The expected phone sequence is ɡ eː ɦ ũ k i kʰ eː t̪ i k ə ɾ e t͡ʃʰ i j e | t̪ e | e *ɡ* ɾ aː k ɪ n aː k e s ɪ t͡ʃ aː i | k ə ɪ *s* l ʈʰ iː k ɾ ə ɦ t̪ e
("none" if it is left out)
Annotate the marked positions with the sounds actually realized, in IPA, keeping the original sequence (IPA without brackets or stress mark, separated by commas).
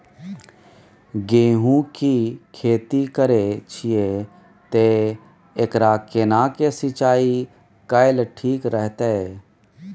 k, none